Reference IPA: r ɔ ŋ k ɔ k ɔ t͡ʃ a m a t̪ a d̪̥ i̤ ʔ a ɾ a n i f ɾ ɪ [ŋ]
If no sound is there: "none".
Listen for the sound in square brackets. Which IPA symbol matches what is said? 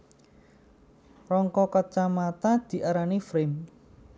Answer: m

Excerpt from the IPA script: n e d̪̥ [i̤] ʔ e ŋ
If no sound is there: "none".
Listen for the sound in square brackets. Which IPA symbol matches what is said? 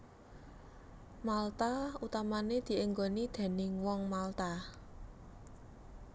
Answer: i̤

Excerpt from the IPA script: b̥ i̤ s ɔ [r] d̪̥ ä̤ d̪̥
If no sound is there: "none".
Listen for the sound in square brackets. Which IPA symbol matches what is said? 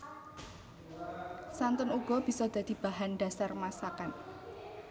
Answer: none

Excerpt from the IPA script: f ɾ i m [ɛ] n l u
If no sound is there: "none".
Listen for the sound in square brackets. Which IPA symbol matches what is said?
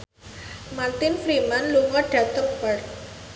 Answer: a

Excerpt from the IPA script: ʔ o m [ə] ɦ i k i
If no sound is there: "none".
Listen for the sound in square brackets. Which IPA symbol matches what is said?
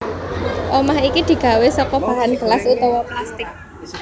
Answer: a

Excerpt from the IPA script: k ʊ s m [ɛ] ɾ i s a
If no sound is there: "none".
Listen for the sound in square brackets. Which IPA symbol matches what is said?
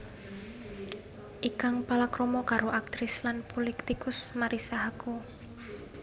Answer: a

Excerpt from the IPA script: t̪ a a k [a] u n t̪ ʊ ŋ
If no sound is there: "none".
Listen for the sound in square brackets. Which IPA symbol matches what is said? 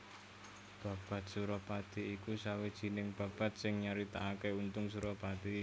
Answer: e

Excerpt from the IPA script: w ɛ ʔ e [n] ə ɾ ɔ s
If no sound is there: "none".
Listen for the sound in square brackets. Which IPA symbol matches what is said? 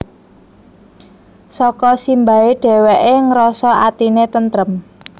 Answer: ŋ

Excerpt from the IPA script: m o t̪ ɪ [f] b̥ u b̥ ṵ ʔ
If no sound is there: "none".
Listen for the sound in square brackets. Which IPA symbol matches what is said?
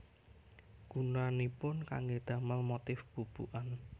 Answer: f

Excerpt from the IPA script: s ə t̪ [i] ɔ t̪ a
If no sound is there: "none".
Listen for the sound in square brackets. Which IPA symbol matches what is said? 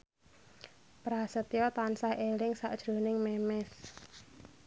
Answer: j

